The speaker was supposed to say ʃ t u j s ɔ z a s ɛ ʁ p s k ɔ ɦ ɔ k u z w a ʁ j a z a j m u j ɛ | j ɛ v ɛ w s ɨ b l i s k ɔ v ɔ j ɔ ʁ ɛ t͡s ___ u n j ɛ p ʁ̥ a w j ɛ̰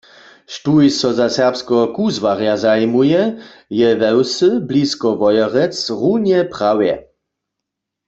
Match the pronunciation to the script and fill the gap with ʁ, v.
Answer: ʁ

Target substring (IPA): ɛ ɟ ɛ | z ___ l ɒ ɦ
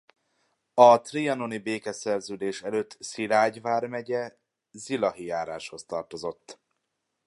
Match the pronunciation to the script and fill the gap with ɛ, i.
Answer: i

